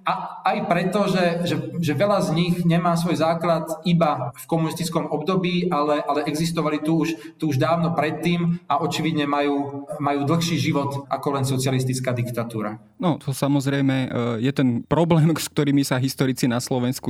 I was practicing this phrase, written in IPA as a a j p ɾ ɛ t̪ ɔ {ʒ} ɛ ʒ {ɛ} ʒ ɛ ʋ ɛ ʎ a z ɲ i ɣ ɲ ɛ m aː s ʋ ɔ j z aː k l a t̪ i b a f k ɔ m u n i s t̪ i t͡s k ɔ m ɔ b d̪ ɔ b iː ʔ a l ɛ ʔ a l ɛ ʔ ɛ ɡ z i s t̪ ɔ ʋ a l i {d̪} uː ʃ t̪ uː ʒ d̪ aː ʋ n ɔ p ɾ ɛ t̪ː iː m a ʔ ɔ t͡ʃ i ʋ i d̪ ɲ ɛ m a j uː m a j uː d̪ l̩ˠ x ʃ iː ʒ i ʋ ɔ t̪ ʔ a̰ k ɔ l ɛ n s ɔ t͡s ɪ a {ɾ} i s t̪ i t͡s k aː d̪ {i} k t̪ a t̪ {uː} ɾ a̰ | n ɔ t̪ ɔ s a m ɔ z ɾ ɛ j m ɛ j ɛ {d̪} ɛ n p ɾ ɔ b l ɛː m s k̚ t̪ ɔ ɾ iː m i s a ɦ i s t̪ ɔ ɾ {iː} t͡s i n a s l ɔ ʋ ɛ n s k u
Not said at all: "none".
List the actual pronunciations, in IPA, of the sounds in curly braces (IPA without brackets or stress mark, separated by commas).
ʒ, ɛ, t̪, l, i, uː, t̪, i